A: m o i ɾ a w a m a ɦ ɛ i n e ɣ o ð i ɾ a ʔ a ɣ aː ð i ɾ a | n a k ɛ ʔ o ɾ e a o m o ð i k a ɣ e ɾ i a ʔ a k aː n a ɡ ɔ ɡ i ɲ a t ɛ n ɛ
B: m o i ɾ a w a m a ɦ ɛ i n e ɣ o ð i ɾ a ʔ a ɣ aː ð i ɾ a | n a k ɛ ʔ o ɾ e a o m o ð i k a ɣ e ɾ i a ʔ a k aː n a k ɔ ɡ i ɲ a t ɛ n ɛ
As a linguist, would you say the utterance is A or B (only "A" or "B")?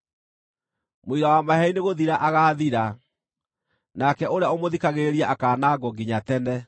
A